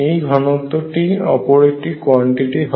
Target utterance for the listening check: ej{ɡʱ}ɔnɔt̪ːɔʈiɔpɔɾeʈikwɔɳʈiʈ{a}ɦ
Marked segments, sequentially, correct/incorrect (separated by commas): correct, incorrect